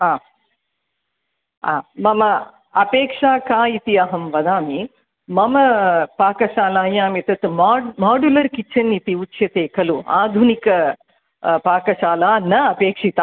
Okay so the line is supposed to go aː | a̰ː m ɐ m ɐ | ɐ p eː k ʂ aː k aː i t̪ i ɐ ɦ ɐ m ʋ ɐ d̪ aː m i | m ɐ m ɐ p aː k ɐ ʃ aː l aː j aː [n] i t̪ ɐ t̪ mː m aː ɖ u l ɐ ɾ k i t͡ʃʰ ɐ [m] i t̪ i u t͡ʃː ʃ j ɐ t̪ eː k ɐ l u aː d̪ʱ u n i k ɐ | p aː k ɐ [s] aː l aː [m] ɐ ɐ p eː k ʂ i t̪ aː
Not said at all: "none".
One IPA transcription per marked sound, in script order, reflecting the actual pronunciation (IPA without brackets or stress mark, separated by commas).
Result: m, n, ʃ, n